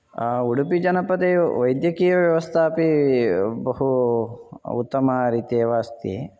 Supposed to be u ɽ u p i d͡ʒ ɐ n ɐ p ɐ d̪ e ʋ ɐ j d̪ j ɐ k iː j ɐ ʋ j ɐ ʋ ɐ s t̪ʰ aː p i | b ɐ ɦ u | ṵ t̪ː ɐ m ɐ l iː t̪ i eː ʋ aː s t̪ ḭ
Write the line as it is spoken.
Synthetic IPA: u ɽ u p i d͡ʒ ɐ n ɐ p ɐ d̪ e ʋ ɐ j d̪ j ɐ k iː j ɐ ʋ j ɐ ʋ ɐ s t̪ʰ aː p i | b ɐ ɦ u | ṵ t̪ː ɐ m ɐ ɾ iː t̪ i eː ʋ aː s t̪ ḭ